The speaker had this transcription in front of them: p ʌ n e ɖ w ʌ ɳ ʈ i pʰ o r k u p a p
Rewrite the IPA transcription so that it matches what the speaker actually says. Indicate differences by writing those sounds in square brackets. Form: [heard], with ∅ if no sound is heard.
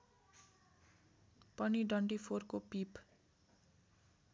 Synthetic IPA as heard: p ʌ n [i] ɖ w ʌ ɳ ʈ i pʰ o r k [o] p [i] p